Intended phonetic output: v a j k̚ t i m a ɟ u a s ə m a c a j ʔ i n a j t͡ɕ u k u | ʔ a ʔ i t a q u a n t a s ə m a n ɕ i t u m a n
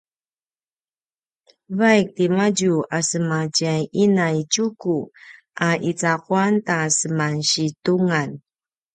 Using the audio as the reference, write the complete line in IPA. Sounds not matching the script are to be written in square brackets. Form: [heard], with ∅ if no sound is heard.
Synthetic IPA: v a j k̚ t i m a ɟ u a s ə m a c a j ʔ i n a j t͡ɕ u k u | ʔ a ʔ i [t͡s] a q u a n t a s ə m a n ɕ i t u [ŋ] a n